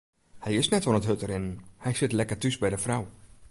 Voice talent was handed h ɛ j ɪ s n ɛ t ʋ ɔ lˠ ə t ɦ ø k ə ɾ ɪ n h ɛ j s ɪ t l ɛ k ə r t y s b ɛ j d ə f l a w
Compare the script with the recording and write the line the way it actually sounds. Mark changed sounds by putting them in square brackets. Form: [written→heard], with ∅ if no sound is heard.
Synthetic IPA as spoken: h ɛ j ɪ s n ɛ t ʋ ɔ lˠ ə t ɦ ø [k→t] ə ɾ ɪ n h ɛ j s ɪ t l ɛ k ə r t y s b ɛ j d ə f [l→r] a w